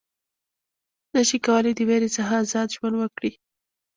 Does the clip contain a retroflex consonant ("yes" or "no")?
yes